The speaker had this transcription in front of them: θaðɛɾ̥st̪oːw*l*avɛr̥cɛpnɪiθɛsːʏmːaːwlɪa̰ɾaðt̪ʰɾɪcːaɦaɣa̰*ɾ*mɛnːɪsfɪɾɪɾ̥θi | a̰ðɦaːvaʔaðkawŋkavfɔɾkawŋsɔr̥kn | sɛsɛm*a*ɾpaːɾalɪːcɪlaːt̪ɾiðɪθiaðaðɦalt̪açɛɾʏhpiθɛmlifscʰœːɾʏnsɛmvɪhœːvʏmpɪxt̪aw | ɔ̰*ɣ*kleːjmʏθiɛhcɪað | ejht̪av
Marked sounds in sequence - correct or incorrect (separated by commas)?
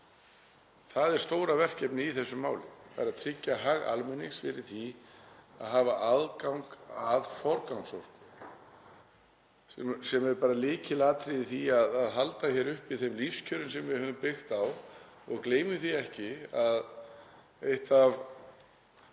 incorrect, incorrect, incorrect, correct